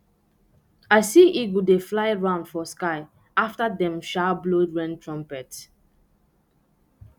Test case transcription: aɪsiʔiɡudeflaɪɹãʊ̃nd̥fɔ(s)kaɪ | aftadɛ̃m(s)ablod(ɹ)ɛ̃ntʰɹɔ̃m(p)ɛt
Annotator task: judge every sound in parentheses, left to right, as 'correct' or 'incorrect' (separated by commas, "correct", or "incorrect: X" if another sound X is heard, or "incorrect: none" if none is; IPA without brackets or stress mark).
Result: correct, incorrect: ʃ, correct, correct